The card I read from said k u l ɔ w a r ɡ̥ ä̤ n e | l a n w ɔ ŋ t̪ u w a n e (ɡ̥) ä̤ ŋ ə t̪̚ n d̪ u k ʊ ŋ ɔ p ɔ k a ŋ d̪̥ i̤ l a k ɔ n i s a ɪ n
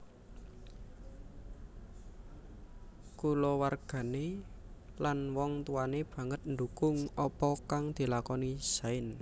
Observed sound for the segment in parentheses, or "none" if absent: b̥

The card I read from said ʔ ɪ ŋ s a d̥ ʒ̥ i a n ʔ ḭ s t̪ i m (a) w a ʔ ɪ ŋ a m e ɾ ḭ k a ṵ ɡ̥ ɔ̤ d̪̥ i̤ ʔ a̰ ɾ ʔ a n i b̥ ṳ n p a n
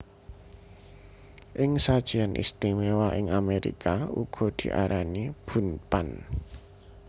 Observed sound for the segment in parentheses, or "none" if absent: e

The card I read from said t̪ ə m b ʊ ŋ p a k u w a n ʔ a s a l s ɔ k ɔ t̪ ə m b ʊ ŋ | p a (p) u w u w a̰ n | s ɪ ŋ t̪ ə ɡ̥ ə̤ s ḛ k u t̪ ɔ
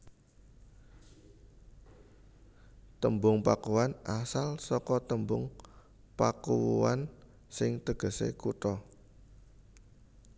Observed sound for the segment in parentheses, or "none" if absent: k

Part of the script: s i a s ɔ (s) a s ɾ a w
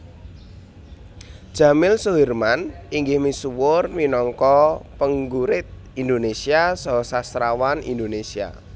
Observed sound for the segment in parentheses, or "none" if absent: s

